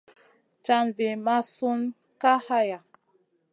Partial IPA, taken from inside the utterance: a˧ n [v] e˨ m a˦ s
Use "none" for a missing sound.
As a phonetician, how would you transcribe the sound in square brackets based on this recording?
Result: v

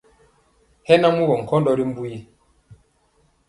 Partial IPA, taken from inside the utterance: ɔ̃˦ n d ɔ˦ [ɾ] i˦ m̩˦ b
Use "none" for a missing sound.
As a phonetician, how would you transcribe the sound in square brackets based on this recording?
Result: ɾ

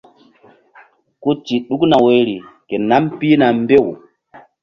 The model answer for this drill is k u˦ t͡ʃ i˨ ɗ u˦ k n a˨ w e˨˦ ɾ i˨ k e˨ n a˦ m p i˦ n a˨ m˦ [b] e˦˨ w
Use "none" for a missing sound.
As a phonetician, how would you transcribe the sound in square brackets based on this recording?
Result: b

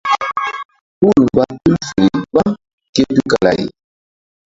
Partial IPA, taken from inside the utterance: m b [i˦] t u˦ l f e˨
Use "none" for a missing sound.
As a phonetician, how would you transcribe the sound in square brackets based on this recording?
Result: a˦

